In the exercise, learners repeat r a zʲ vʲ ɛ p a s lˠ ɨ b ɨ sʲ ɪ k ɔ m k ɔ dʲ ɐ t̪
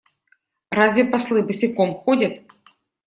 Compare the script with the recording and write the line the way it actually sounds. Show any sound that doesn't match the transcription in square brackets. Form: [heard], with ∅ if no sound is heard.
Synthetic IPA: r a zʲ vʲ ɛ p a s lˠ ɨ b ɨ sʲ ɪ k ɔ m [x] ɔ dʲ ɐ t̪